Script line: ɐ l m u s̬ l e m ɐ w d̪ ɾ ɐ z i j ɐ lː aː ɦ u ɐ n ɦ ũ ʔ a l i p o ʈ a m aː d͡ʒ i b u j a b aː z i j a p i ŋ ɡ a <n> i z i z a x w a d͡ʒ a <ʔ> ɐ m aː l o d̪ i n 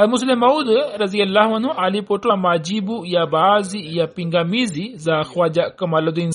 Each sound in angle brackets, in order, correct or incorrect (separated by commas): incorrect, incorrect